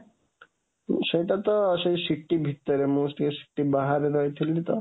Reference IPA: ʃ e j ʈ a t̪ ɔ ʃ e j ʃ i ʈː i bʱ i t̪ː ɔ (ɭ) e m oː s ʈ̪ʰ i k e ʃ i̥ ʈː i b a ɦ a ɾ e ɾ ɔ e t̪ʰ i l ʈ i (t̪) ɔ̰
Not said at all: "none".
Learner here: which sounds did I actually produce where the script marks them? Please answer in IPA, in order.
ɾ, t̪

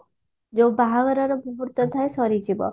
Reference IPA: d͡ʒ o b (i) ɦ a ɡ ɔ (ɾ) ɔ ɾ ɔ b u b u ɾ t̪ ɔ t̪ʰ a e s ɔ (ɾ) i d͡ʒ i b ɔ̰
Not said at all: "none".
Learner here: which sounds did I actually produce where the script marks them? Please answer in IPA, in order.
a, ɾ, ɾ

